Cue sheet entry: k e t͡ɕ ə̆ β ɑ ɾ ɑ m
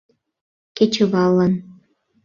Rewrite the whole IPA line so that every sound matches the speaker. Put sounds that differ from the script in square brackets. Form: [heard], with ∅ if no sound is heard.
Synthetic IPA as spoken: k e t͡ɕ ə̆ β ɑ [l] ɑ [n]